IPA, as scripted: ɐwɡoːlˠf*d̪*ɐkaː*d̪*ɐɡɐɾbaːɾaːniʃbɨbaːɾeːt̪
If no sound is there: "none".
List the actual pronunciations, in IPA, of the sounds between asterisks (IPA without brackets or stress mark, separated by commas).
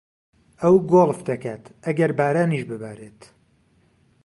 d̪, t̪